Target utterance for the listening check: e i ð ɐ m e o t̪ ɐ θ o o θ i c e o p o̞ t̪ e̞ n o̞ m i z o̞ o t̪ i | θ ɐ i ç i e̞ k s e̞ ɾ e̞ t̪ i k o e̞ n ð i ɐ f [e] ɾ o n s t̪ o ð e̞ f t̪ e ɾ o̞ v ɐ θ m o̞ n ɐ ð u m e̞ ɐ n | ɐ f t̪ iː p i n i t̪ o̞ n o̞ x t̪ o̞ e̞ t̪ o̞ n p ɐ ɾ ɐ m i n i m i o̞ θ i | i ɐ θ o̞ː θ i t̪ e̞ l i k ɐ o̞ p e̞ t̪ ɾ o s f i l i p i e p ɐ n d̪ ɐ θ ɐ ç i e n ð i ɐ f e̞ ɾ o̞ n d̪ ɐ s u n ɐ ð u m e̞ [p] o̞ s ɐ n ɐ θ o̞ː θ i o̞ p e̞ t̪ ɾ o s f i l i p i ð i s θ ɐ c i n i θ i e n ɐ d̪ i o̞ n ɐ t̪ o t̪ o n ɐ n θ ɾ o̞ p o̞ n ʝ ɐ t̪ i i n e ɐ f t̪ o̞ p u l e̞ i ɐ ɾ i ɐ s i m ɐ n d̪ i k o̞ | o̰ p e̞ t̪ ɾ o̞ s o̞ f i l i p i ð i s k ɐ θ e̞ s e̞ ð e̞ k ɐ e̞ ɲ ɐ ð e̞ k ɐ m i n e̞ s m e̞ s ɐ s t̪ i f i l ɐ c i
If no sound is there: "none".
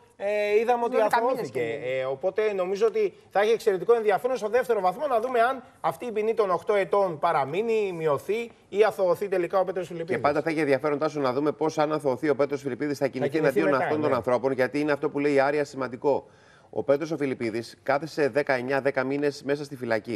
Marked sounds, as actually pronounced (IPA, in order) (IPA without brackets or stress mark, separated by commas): e, p